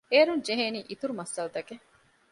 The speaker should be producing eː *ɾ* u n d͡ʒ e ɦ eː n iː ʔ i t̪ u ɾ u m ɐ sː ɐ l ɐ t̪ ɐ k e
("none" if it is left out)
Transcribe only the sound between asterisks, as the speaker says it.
ɾ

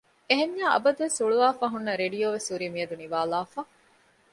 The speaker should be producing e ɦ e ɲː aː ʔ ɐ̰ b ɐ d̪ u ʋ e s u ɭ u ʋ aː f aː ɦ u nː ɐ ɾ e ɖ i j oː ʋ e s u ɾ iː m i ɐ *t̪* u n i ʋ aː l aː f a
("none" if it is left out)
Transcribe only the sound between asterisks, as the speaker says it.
d̪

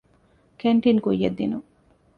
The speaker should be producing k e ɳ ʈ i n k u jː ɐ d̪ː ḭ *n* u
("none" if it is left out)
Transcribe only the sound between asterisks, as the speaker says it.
n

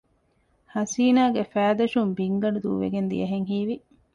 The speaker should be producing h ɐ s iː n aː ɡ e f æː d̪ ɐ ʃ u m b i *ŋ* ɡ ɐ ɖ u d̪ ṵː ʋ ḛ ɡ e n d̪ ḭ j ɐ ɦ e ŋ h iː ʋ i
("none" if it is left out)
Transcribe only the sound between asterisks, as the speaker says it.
ŋ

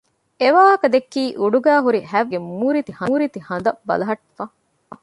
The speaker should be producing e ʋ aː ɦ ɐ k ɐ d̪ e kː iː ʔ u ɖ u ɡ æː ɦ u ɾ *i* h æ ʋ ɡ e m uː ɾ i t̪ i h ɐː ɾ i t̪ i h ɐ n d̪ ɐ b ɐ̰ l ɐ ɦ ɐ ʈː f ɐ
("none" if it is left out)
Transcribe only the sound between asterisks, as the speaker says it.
i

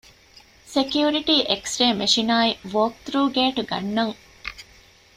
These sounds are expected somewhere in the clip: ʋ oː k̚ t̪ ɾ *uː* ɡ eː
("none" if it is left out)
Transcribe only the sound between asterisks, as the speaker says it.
uː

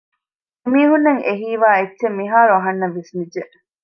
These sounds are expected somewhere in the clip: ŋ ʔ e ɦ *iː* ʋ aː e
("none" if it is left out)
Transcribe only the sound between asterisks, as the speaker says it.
iː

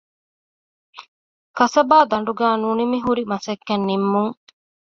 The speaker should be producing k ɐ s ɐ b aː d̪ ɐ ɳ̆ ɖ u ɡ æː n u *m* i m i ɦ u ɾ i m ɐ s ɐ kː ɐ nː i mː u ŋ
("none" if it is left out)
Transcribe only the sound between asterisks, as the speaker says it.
n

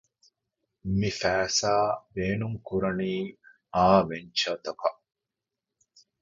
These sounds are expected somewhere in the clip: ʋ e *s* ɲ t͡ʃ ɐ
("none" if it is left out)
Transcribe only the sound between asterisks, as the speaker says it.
none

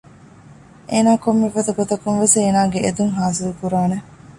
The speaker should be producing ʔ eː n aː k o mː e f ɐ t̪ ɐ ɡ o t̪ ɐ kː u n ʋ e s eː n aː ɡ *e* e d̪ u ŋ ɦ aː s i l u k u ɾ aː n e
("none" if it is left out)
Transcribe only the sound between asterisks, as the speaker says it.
e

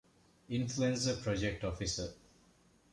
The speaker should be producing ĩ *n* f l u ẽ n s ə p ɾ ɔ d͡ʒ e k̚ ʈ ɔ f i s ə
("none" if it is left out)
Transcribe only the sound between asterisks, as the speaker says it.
n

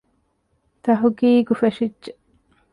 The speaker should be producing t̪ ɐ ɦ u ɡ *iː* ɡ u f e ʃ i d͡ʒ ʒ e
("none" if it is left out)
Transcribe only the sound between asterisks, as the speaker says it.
iː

